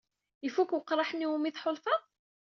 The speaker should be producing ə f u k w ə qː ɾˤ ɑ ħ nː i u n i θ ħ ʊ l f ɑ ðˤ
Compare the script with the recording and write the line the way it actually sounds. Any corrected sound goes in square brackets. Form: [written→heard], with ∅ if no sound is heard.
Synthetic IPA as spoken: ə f u k w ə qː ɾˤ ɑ ħ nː i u [n→m] i θ ħ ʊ l f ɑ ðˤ